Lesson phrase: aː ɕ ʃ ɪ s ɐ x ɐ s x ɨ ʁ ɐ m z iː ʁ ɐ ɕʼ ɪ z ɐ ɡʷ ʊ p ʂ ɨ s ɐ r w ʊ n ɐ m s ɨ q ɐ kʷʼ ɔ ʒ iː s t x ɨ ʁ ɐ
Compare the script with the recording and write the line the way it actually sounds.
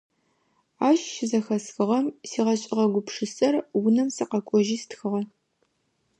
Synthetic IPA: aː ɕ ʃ ɪ z ɐ x ɐ s x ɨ ʁ ɐ m s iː ʁ ɐ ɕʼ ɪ ʁ ɐ ɡʷ ʊ p ʂ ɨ s ɐ r w ʊ n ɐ m s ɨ q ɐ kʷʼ ɔ ʒ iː s t x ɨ ʁ ɐ